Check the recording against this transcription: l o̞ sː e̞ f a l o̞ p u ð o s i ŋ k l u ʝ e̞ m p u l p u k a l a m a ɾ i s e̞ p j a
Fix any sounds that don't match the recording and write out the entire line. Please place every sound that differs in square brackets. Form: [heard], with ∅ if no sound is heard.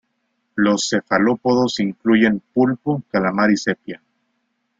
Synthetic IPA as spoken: l o̞ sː e̞ f a l o̞ p [o] ð o s i ŋ k l u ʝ e̞ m p u l p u k a l a m a ɾ i s e̞ p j a